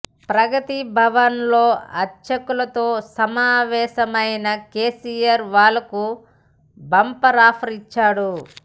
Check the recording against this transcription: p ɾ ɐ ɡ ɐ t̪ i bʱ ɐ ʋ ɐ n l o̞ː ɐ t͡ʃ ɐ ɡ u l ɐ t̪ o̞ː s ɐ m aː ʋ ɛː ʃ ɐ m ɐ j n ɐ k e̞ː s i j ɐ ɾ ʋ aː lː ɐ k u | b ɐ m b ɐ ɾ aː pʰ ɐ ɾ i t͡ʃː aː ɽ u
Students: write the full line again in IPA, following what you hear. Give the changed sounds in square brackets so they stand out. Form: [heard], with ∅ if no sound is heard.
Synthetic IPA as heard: p ɾ ɐ ɡ ɐ t̪ i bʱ ɐ ʋ ɐ n l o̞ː ɐ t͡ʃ ɐ [k] u l ɐ t̪ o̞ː s ɐ m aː ʋ ɛː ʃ ɐ m ɐ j n ɐ k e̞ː s i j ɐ ɾ ʋ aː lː ɐ k u | b ɐ m [p] ɐ ɾ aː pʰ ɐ ɾ i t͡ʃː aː ɽ u